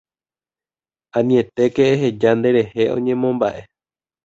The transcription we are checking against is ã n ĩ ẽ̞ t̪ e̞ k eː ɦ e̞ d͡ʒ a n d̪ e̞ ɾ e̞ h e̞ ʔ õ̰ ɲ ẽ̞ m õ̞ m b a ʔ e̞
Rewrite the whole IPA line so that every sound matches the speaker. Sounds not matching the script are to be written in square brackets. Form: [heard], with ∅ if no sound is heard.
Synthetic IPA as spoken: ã n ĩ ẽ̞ t̪ e̞ k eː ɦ e̞ d͡ʒ a n d̪ e̞ ɾ e̞ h e̞ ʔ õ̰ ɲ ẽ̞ m õ̞ m b a ʔ e̞